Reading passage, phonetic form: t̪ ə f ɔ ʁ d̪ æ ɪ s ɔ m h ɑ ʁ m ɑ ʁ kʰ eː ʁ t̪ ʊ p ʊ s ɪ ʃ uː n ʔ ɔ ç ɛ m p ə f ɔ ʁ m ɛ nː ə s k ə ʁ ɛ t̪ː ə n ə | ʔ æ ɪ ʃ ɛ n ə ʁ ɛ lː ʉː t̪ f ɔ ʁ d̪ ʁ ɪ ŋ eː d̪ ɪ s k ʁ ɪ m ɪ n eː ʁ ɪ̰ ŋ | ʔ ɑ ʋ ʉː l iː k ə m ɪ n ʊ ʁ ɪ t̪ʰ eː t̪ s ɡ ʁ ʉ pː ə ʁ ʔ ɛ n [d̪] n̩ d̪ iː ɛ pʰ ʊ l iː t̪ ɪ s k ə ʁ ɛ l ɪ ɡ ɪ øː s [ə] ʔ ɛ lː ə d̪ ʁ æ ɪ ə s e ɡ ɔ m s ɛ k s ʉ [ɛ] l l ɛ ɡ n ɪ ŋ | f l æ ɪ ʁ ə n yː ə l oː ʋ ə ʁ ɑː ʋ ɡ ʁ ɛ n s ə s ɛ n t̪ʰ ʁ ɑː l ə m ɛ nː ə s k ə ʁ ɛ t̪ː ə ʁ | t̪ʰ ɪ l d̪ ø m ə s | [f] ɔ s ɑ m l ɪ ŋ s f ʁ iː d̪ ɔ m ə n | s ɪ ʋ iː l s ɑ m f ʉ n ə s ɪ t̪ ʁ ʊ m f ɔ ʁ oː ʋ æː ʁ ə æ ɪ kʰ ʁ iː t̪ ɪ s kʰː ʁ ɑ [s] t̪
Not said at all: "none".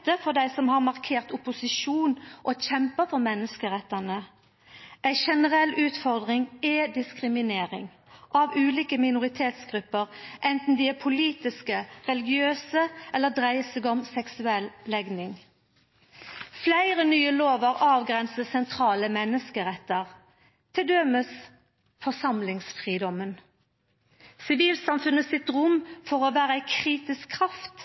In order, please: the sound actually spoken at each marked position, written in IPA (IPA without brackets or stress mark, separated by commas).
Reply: t̪, ə, ɛ, f, f